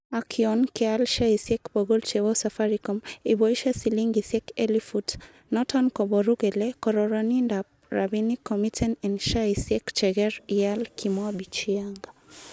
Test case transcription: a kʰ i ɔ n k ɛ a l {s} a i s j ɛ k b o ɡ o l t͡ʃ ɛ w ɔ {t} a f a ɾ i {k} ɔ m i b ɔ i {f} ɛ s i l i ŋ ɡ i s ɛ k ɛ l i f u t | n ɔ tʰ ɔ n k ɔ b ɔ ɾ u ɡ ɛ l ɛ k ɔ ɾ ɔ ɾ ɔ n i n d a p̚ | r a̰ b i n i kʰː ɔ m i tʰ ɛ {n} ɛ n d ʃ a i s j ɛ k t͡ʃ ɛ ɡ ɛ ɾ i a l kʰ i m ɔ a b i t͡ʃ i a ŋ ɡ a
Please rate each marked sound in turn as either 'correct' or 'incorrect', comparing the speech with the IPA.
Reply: incorrect, incorrect, correct, incorrect, correct

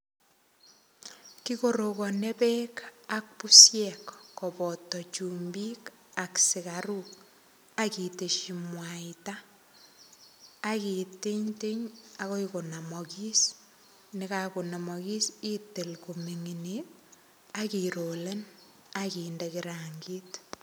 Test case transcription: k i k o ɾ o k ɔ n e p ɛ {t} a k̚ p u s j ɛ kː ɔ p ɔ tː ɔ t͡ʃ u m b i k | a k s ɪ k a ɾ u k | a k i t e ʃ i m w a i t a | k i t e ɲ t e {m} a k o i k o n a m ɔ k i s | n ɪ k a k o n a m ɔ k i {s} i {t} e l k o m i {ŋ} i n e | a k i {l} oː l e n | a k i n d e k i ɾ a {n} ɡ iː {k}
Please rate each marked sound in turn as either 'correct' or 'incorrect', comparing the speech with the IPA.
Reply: incorrect, incorrect, correct, correct, correct, incorrect, incorrect, incorrect

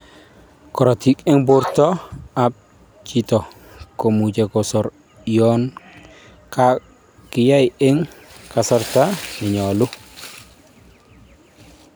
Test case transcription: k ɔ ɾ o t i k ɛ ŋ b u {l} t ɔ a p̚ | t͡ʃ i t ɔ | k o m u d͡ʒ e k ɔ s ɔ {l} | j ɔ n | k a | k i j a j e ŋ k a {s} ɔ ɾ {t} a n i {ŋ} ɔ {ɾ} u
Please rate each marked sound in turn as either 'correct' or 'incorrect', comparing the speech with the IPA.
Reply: incorrect, incorrect, correct, correct, incorrect, incorrect

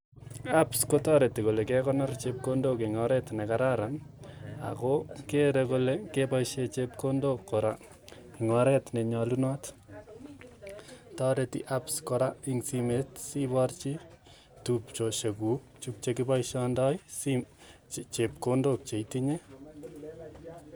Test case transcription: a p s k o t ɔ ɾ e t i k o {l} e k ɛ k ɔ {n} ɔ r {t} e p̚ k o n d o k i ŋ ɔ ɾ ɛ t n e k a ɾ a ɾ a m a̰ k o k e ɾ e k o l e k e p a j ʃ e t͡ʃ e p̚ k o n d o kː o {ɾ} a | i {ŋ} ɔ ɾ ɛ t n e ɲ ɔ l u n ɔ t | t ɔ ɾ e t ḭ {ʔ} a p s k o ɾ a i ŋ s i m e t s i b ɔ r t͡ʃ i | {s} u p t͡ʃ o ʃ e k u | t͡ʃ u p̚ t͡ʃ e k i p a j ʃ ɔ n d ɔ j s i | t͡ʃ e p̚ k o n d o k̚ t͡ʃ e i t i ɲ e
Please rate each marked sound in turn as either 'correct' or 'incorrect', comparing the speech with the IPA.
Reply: correct, correct, incorrect, correct, correct, correct, incorrect

